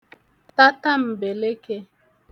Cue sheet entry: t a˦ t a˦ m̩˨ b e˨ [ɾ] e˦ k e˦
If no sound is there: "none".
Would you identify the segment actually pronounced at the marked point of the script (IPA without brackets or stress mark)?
l